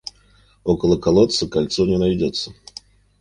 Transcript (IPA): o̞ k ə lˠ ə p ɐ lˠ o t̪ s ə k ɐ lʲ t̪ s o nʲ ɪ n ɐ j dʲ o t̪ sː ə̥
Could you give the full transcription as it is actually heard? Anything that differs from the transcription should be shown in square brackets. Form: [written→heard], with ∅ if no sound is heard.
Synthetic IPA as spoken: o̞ k ə lˠ ə [p→k] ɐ lˠ o t̪ s ə k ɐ lʲ t̪ s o nʲ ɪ n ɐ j dʲ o t̪ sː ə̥